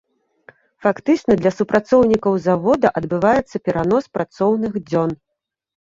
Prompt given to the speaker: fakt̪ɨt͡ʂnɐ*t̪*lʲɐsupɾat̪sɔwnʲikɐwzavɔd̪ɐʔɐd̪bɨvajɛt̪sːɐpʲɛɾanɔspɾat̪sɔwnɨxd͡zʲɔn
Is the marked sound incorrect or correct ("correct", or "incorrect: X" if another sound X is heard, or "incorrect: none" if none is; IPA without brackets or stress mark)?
incorrect: d̪